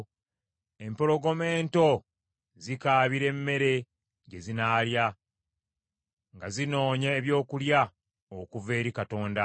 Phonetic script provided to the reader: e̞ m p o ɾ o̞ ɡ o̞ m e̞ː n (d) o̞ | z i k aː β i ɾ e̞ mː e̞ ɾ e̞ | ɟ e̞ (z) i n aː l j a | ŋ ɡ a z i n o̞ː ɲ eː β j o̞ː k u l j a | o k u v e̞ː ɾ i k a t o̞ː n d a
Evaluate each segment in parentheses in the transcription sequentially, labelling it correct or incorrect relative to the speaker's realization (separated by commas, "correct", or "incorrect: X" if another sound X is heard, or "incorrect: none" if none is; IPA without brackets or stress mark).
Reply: incorrect: t, correct